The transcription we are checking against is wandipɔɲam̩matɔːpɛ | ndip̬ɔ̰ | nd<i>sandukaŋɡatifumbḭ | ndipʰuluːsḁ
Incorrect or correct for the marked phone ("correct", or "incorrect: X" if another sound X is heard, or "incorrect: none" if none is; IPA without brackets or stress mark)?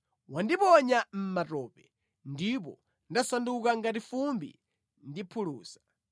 incorrect: a